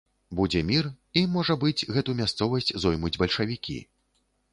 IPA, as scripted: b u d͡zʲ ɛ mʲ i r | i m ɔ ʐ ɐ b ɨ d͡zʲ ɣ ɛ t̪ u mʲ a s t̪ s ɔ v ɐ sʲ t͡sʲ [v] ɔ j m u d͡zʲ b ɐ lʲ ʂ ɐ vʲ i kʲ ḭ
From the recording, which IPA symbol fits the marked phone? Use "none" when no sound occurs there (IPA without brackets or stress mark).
z